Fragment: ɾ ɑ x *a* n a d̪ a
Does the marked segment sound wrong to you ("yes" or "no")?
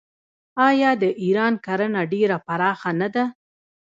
no